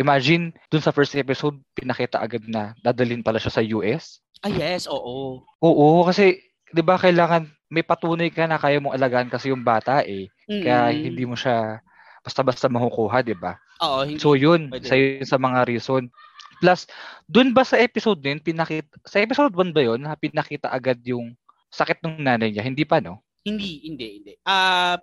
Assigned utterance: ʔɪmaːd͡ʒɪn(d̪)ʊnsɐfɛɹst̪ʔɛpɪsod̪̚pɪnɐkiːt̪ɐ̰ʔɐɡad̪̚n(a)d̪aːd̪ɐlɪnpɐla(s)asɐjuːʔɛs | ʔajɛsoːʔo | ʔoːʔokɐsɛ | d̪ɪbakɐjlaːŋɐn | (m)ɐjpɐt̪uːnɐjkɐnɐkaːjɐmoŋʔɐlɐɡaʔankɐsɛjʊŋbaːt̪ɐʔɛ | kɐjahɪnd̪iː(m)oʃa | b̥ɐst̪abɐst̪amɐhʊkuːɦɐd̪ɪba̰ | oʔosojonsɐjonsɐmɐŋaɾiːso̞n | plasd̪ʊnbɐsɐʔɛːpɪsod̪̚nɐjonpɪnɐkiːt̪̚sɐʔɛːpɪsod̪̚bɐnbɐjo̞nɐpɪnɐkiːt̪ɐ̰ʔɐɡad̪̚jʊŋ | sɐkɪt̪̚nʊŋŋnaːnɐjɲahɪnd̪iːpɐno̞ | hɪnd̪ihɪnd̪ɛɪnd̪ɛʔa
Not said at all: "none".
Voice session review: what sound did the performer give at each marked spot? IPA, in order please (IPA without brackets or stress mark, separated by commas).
d̪, ɐ, ʃ, m, m